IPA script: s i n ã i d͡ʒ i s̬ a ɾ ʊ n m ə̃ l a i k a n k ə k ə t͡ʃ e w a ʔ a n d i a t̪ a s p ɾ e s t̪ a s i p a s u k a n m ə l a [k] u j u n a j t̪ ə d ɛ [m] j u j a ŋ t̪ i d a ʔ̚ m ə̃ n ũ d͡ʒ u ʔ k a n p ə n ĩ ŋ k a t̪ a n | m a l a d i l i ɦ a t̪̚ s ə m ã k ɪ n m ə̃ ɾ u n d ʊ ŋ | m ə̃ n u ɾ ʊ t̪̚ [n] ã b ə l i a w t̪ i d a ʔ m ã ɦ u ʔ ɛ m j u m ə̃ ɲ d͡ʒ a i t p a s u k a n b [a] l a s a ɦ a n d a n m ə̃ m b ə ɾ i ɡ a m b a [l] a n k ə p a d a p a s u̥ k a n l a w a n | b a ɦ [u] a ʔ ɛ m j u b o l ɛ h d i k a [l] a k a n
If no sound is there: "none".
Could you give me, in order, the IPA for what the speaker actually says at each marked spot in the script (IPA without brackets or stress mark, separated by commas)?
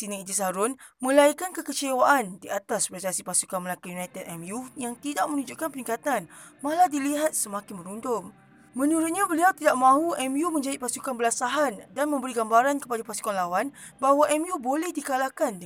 k, m, ɲ, ə, ɾ, w, l